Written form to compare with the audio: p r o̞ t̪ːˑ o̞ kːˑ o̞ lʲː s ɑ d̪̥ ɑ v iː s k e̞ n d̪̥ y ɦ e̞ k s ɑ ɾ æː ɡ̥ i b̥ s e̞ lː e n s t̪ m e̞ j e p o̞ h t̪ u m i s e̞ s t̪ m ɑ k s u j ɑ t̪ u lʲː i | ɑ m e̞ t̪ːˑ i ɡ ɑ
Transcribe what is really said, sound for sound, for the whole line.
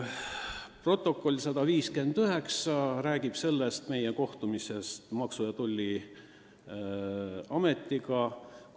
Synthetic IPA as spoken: p r o̞ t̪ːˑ o̞ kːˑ o̞ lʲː s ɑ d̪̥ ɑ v iː s k e̞ n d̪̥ y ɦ e̞ k s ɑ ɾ æː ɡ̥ i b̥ s e̞ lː e s t̪ m e̞ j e k o̞ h t̪ u m i s e̞ s t̪ m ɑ k s u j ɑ t̪ u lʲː i | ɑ m e̞ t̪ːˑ i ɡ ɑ